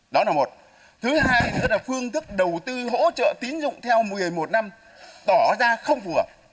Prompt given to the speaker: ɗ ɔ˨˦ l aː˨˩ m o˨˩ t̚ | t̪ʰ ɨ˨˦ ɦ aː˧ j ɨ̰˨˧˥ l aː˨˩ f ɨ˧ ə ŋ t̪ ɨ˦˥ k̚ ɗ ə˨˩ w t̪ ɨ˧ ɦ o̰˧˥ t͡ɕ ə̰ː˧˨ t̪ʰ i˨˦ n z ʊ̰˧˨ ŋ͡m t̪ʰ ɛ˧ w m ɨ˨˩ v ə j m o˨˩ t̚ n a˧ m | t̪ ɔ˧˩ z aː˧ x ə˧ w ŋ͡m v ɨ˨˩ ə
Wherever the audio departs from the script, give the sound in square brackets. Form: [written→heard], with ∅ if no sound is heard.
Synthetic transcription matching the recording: ɗ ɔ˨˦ l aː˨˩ m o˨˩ t̚ | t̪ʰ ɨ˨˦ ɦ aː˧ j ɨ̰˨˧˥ l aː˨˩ f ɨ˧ ə ŋ t̪ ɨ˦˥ k̚ ɗ ə˨˩ w t̪ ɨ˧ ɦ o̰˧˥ t͡ɕ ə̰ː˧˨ [t̪ʰ→t̪] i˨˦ n z ʊ̰˧˨ ŋ͡m t̪ʰ ɛ˧ w m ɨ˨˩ [v→∅] ə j m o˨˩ t̚ n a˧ m | t̪ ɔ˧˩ z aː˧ x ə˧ w ŋ͡m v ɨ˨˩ ə

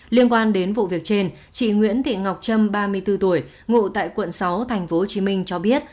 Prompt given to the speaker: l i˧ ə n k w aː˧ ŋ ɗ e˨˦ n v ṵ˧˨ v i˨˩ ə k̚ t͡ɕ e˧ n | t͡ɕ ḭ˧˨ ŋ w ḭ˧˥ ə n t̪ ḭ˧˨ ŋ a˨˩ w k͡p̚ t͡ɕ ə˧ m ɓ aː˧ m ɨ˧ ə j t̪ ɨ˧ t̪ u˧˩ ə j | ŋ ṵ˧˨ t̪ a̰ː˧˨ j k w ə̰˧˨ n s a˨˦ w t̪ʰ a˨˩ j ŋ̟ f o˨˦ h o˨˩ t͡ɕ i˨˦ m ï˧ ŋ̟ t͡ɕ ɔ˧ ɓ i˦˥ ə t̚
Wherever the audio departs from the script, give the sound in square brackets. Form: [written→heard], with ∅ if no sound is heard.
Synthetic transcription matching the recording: l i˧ ə n k w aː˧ [ŋ→n] ɗ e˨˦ n v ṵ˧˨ v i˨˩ ə k̚ t͡ɕ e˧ n | t͡ɕ ḭ˧˨ ŋ w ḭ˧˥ ə n t̪ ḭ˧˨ ŋ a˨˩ w k͡p̚ t͡ɕ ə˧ m ɓ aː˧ m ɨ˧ ə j t̪ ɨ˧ t̪ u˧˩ ə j | ŋ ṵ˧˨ t̪ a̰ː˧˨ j k w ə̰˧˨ n s a˨˦ w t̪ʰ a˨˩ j ŋ̟ f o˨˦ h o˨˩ t͡ɕ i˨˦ m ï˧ ŋ̟ t͡ɕ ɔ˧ ɓ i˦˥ ə t̚

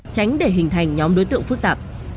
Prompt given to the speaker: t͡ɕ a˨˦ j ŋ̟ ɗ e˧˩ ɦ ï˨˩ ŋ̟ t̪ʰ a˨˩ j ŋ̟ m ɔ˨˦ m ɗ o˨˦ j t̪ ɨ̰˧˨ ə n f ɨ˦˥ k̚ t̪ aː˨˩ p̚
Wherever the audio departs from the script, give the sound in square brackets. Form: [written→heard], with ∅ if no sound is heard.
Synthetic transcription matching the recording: t͡ɕ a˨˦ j ŋ̟ ɗ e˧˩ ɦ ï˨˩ ŋ̟ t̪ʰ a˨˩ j ŋ̟ [m→ɲ] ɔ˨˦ m ɗ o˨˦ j t̪ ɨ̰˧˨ ə [n→ŋ] f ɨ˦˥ k̚ t̪ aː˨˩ p̚

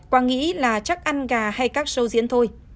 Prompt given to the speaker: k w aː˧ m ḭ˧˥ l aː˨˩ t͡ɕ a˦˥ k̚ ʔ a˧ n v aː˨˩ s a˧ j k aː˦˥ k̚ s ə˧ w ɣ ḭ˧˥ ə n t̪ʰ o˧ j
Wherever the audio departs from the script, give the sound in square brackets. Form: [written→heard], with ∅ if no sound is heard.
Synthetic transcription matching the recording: k w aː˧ [m→ŋ] ḭ˧˥ l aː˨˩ t͡ɕ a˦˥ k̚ ʔ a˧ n [v→ɣ] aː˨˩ [s→h] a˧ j k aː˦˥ k̚ s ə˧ w [ɣ→z] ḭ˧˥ ə n t̪ʰ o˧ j

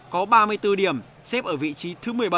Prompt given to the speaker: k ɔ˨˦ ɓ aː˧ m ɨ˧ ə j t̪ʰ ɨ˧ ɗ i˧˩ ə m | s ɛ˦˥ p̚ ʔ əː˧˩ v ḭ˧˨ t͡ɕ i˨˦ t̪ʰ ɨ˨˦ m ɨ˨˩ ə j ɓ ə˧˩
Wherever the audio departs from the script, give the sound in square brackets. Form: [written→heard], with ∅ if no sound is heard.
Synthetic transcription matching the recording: k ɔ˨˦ ɓ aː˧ m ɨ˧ ə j [t̪ʰ→t̪] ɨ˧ ɗ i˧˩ ə m | s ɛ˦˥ p̚ ʔ əː˧˩ v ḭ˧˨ t͡ɕ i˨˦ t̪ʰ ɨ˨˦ m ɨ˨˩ ə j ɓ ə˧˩

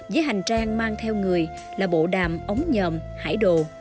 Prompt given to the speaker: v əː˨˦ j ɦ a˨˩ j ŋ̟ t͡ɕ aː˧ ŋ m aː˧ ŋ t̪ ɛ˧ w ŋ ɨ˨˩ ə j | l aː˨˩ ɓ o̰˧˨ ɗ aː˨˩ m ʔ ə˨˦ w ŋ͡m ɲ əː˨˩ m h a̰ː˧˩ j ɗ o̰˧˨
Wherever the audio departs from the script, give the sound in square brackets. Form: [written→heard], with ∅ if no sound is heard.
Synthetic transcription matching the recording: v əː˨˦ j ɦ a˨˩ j ŋ̟ t͡ɕ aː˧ ŋ m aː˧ ŋ [t̪→t̪ʰ] ɛ˧ w ŋ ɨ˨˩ ə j | l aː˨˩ ɓ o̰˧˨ ɗ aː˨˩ m ʔ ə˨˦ w ŋ͡m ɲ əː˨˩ m h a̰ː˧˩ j ɗ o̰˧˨

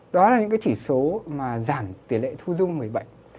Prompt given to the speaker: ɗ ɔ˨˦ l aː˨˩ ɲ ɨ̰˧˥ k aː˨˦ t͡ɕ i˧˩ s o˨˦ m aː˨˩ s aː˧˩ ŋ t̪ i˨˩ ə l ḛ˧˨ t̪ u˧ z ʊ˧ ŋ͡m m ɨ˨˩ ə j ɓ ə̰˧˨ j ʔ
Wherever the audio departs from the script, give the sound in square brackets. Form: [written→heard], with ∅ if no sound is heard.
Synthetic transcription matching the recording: ɗ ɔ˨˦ l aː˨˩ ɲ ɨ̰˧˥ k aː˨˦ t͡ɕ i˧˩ s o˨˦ m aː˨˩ [s→z] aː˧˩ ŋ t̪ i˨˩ ə l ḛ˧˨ [t̪→t̪ʰ] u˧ z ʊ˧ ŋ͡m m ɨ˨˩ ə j ɓ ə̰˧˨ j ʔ

